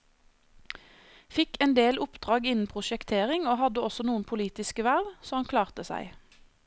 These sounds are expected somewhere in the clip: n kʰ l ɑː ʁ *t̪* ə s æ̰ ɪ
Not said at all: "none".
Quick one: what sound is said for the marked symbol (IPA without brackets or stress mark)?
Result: t̪